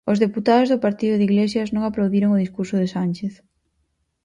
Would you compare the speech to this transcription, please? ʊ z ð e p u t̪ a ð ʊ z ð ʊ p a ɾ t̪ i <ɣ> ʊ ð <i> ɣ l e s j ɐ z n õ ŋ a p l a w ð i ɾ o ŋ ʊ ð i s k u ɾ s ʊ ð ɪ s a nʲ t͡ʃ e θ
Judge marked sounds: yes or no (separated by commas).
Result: no, yes